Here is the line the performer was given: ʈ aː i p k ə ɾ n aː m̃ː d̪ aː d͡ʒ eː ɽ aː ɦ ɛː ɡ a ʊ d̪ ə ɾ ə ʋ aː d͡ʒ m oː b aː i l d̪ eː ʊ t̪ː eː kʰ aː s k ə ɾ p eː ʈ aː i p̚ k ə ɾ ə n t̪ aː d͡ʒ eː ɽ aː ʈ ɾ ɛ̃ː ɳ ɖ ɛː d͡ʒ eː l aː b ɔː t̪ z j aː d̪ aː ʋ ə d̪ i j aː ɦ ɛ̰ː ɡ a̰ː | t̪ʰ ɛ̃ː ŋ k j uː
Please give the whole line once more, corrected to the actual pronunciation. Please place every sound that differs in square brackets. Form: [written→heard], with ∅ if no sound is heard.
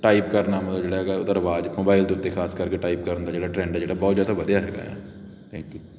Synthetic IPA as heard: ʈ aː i p k ə ɾ n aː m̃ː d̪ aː d͡ʒ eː ɽ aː ɦ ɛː ɡ a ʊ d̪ ə ɾ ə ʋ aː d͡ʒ m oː b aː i l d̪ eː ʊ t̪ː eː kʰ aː s k ə ɾ [p→k] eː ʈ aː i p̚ k ə ɾ ə n [t̪→d̪] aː d͡ʒ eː ɽ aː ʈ ɾ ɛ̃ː ɳ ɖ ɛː d͡ʒ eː [l→ɽ] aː b ɔː t̪ z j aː d̪ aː ʋ ə d̪ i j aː ɦ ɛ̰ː ɡ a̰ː | t̪ʰ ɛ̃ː ŋ k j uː